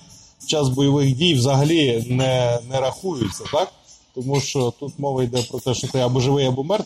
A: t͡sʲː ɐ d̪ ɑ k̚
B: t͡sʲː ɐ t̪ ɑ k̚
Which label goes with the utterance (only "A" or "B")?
B